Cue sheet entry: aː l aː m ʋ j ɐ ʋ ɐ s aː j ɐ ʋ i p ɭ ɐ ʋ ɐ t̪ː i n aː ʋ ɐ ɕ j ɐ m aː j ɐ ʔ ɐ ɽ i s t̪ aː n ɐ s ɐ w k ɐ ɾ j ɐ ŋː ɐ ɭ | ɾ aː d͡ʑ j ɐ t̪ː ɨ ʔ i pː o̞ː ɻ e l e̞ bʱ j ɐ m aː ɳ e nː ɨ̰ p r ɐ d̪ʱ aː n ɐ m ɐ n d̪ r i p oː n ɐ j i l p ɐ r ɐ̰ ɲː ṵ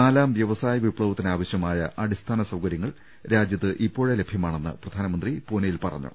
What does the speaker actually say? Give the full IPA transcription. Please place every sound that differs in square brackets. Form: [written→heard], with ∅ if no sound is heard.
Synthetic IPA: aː l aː m ʋ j ɐ ʋ ɐ s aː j ɐ ʋ i p ɭ ɐ ʋ ɐ t̪ː i n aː ʋ ɐ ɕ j ɐ m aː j ɐ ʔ ɐ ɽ i s [t̪→t̪ʰ] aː n ɐ s ɐ w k ɐ ɾ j ɐ ŋː ɐ ɭ | ɾ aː d͡ʑ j ɐ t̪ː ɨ ʔ i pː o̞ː ɻ e l e̞ bʱ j ɐ m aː ɳ e nː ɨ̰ p r ɐ d̪ʱ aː n ɐ m ɐ n d̪ r i p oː n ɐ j i l p ɐ r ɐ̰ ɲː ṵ

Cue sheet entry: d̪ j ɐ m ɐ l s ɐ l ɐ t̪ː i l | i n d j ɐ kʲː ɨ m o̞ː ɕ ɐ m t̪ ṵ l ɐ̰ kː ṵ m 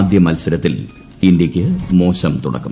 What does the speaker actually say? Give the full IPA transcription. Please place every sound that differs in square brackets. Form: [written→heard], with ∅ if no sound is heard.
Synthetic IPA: d̪ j ɐ m ɐ l s ɐ [l→ɾ] ɐ t̪ː i l | i n d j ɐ kʲː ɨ m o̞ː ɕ ɐ m t̪ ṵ [l→ɽ] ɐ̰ kː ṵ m

